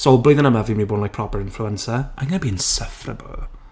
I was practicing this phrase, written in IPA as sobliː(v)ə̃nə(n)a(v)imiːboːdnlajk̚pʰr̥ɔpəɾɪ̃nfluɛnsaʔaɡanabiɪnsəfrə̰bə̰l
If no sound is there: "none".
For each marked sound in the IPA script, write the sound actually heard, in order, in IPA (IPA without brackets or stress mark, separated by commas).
ð, m, v